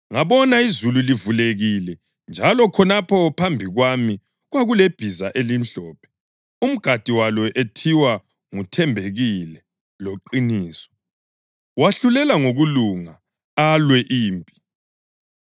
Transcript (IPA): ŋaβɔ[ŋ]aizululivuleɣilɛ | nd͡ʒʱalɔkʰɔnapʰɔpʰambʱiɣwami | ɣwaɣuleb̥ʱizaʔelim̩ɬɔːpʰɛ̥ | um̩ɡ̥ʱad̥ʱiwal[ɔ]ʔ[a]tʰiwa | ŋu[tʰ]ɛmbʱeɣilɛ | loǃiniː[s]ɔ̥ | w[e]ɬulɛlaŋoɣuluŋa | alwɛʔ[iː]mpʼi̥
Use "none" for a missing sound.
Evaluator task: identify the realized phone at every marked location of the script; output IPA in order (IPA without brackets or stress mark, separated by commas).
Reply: n, ɔ, e, tʰ, s, a, iː